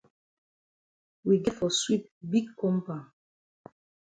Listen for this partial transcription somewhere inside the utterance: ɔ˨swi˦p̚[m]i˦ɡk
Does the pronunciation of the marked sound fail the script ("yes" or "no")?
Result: yes